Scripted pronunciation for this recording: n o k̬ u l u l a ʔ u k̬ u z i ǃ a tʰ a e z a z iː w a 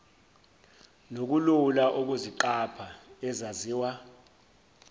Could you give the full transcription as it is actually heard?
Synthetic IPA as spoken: n o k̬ u l u l a ʔ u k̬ u z i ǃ a pʰ a ɛ z a z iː w a